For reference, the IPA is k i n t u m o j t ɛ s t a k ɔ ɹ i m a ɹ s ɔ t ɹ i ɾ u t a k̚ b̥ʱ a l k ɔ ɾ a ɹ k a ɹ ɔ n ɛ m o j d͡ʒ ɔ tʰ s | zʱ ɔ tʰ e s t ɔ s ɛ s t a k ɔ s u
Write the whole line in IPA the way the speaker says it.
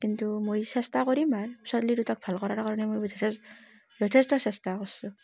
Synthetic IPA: k i n t u m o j s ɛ s t a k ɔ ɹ i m a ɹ s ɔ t l i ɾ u t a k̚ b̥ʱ a l k ɔ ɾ a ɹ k a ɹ ɔ n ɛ m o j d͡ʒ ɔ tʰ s | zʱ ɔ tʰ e s t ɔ s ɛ s t a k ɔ s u